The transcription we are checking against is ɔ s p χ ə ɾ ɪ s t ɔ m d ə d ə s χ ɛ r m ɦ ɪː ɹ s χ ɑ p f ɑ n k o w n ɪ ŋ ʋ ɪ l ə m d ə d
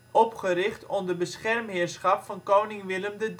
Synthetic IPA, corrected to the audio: ɔ p χ ə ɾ ɪ χ t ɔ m d ə b ə s χ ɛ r m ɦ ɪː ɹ s χ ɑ p f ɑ n k o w n ɪ ŋ ʋ ɪ l ə m d ə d